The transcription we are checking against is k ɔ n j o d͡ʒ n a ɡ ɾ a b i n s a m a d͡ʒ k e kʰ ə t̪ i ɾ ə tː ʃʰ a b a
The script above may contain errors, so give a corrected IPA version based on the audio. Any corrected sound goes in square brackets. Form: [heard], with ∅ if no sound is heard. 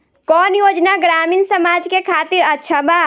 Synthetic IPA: k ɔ n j o d͡ʒ n a ɡ ɾ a [m] i n s [ə] m a d͡ʒ k e kʰ [a] t̪ i ɾ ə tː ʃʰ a b a

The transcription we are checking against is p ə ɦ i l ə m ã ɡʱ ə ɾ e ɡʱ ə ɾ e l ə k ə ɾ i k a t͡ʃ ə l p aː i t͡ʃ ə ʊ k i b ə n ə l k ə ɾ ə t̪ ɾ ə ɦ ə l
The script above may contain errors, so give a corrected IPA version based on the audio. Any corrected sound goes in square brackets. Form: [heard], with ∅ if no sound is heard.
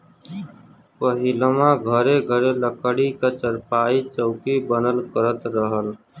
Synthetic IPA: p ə ɦ i l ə m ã ɡʱ ə ɾ e ɡʱ ə ɾ e l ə k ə [ɽ] i k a t͡ʃ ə [ɾ] p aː i t͡ʃ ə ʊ k i b ə n ə l k ə ɾ ə t̪ ɾ ə ɦ ə l

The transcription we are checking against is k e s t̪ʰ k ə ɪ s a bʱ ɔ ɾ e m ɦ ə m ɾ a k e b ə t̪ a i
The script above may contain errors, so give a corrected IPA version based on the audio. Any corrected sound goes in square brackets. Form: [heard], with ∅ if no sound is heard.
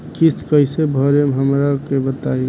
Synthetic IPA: k [i] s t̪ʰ k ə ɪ s [e] bʱ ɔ ɾ e m ɦ ə m ɾ a k e b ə t̪ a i

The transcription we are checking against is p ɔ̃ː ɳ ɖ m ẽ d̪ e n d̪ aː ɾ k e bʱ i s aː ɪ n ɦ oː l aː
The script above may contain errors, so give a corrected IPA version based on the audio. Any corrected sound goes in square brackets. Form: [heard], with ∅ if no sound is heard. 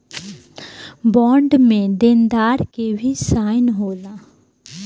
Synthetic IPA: [b] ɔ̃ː ɳ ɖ m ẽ d̪ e n d̪ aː ɾ k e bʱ i s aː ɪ n ɦ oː l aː

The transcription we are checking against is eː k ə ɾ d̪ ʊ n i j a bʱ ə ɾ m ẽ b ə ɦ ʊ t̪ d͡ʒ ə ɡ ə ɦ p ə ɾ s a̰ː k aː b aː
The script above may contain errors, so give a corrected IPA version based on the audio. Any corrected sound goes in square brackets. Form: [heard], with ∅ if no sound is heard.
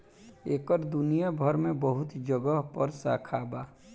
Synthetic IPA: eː k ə ɾ d̪ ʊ n i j a bʱ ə ɾ m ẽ b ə ɦ ʊ t̪ d͡ʒ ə ɡ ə ɦ p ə ɾ s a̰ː [kʰ] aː b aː

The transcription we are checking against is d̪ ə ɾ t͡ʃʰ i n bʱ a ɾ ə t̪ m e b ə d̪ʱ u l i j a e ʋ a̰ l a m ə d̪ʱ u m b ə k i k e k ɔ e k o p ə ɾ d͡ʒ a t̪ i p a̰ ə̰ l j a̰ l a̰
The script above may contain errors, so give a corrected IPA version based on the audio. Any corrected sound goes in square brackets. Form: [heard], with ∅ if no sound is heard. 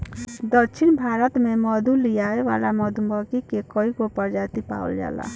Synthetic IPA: d̪ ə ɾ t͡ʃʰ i n bʱ a ɾ ə t̪ m e [m] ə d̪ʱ u l i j a e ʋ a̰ l a m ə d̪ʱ u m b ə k i k e k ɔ [i] k o p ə ɾ d͡ʒ a t̪ i p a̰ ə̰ l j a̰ l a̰

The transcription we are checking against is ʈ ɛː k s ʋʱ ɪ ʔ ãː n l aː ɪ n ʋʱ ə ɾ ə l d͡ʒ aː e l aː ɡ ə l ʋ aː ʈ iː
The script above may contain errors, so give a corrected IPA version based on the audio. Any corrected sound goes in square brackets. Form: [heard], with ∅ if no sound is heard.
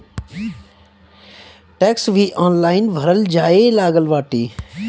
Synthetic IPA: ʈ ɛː k s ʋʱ [i] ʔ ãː n l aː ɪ n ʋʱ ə ɾ ə l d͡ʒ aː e l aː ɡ ə l ʋ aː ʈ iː

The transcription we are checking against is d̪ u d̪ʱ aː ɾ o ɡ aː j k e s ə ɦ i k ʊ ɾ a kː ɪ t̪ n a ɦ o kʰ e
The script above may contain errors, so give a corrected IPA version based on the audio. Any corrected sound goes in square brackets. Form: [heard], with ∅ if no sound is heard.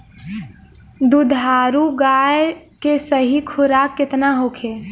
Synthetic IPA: d̪ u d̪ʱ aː ɾ [u] ɡ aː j k e s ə ɦ i [kʰ] ʊ ɾ a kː ɪ t̪ n a ɦ o kʰ e

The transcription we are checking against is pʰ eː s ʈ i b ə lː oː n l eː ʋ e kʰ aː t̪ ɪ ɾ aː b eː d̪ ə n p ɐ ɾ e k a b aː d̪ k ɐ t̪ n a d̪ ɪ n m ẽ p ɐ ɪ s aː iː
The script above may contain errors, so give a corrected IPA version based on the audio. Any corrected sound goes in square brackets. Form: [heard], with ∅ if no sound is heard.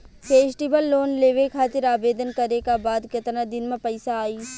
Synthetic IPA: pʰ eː s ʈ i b ə lː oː n l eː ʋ e kʰ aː t̪ ɪ ɾ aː b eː d̪ ə n [k] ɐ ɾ e k a b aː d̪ k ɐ t̪ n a d̪ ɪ n m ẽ p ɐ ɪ s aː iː

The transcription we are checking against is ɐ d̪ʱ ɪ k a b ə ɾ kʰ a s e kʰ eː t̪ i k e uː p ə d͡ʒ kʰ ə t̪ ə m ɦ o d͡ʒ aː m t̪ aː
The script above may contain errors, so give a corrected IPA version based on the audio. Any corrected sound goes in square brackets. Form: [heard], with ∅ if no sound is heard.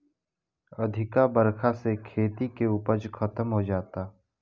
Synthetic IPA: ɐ d̪ʱ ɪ k a b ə ɾ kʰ a s e kʰ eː t̪ i k e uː p ə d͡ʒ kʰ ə t̪ ə m ɦ o d͡ʒ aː [∅] t̪ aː

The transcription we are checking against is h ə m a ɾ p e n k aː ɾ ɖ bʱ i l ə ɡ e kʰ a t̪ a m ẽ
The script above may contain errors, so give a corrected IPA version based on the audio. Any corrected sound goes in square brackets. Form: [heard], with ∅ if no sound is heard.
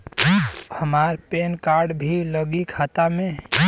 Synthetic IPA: h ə m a ɾ p e n k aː ɾ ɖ bʱ i l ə ɡ [i] kʰ a t̪ a m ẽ

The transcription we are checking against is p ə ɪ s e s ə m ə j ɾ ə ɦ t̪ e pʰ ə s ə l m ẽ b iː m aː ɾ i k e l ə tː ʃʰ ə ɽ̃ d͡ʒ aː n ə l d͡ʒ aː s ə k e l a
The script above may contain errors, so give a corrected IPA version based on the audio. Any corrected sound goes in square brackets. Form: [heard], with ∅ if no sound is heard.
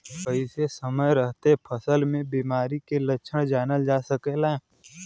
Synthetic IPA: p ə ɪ s e s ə m ə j ɾ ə ɦ t̪ e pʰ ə s ə l m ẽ b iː m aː ɾ i k e l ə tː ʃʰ ə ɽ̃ d͡ʒ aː n ə l d͡ʒ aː s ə k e l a

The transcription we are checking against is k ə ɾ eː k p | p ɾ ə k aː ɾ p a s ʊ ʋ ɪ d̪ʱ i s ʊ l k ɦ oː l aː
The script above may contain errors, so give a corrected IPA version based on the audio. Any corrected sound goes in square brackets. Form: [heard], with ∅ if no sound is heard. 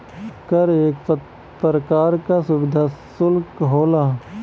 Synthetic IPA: k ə ɾ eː k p | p ɾ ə k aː ɾ [k] a s ʊ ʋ ɪ d̪ʱ [a] s ʊ l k ɦ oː l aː

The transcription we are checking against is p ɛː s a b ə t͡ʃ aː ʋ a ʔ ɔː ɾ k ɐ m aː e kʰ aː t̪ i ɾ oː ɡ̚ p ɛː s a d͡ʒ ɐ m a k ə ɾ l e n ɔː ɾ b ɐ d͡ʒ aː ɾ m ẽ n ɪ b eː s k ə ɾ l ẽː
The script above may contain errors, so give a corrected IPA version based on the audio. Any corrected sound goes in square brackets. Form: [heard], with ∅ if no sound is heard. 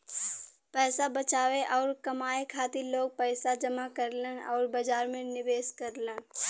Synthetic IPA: p ɛː s a b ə t͡ʃ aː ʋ [e] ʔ ɔː ɾ k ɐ m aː e kʰ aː t̪ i [l] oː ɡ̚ p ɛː s a d͡ʒ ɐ m a k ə ɾ l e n ɔː ɾ b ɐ d͡ʒ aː ɾ m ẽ n ɪ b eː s k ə ɾ l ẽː

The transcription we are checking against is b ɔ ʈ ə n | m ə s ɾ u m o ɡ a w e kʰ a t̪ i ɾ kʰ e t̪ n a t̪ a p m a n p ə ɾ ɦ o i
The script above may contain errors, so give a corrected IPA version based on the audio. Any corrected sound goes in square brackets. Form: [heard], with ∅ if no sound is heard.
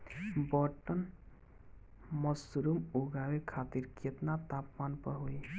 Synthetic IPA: b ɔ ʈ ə n | m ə s ɾ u m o ɡ a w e kʰ a t̪ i ɾ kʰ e t̪ n a t̪ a p m a n p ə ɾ ɦ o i

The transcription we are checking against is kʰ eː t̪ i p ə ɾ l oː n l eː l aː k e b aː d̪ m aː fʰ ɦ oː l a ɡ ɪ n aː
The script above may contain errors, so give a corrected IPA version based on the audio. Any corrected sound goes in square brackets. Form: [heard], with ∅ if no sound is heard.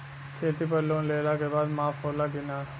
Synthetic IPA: kʰ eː t̪ i p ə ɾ l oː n l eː l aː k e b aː d̪ m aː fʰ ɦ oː l a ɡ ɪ n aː

